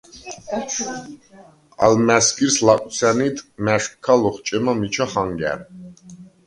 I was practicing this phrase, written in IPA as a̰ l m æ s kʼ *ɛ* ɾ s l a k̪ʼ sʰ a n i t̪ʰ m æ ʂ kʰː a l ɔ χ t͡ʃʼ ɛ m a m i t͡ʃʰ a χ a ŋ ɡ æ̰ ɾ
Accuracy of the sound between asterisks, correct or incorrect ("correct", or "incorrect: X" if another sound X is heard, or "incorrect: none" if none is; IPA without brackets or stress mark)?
incorrect: i